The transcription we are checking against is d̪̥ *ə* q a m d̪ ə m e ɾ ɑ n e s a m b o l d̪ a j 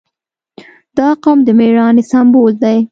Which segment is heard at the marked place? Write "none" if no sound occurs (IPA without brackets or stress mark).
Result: ɑ